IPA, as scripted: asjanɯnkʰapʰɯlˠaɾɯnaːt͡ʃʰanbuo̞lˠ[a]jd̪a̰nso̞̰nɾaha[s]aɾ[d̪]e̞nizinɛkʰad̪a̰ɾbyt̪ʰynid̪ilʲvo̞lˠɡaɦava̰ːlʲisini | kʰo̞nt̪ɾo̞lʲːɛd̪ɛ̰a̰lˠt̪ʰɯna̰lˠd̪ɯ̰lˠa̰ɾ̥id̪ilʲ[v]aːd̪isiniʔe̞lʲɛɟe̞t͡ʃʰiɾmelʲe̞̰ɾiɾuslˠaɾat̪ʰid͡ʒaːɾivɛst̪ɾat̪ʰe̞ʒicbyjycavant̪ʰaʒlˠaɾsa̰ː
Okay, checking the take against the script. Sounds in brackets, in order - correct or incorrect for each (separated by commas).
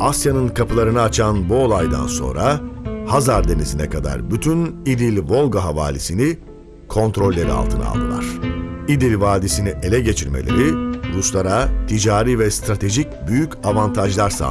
correct, incorrect, correct, correct